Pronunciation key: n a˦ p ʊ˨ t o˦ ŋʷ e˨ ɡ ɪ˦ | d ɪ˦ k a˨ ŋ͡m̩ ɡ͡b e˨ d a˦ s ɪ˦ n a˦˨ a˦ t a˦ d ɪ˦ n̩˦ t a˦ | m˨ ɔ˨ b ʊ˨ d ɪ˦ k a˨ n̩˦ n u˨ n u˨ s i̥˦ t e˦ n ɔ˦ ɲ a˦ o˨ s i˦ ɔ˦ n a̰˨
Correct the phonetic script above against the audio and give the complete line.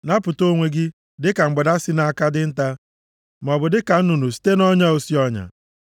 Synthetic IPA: n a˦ p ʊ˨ t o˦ ŋʷ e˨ ɡ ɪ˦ | d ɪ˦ k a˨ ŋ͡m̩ ɡ͡b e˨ d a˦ s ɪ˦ n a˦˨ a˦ k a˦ d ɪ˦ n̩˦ t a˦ | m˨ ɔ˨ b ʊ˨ d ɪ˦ k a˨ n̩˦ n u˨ n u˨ s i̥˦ t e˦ n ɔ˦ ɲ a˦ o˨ s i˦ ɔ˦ ɲ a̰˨

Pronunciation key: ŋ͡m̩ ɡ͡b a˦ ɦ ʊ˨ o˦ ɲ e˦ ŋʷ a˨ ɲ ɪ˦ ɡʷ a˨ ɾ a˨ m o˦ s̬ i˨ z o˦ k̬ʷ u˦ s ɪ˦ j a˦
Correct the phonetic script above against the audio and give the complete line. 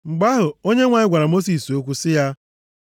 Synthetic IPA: ŋ͡m̩ ɡ͡b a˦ ɦ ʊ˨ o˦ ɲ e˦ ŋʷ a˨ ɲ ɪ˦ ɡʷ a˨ ɾ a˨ m o˦ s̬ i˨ s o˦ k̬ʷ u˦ s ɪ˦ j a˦

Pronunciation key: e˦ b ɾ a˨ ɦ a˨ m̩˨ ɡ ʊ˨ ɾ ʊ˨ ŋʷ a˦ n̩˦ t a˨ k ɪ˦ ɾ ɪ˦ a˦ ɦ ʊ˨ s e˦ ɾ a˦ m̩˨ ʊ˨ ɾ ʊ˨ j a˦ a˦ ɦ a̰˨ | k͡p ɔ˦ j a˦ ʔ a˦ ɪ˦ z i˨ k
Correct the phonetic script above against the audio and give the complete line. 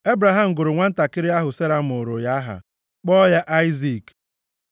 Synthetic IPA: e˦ b ɾ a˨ ɦ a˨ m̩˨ ɡ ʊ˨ ɾ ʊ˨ ŋʷ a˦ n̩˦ t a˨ k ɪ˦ ɾ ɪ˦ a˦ ɦ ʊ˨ s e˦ ɾ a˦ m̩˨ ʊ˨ ɾ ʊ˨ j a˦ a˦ ɦ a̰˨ | k͡p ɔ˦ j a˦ ʔ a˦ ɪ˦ z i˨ k

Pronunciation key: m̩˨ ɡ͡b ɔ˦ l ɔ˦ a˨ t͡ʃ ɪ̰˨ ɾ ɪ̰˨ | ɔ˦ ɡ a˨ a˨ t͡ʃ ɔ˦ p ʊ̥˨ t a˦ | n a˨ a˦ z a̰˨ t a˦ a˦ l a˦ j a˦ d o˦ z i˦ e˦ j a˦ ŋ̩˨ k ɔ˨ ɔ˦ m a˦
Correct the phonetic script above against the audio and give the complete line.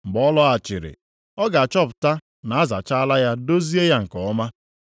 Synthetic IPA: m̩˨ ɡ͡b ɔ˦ l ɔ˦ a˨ t͡ʃ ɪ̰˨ ɾ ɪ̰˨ | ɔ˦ ɡ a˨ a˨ t͡ʃ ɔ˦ p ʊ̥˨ t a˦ | n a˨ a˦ z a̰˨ t͡ʃ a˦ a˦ l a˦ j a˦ d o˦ z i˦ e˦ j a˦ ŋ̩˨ k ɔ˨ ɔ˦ m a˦

